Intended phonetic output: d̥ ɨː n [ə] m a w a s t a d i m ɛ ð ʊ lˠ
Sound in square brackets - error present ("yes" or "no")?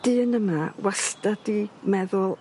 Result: no